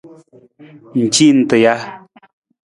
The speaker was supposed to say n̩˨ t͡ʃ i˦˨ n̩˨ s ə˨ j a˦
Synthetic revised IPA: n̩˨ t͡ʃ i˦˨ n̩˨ t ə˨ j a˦

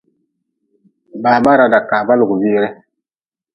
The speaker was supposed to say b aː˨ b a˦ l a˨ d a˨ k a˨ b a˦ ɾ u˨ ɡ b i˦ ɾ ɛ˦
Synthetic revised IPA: b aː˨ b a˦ ɾ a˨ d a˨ k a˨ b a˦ l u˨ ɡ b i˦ ɾ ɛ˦

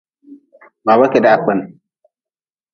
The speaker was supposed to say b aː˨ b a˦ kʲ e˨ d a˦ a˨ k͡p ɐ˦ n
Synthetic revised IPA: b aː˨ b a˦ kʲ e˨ d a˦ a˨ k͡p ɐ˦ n

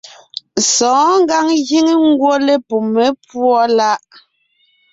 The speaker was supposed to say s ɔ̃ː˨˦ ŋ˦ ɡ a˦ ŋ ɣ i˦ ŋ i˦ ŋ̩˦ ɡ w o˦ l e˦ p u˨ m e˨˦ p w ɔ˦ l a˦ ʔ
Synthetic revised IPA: s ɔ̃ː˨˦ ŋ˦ ɡ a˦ ŋ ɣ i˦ ŋ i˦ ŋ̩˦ ɡ w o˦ l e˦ p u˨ m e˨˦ p w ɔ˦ l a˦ ʔ

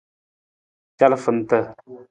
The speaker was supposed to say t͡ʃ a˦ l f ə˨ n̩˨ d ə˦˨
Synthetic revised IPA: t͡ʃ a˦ l f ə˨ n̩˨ t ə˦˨

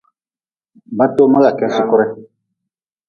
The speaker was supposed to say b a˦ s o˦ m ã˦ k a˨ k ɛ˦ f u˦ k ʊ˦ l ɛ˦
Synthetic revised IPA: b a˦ t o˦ m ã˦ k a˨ k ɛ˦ s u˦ k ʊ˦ ɾ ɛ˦

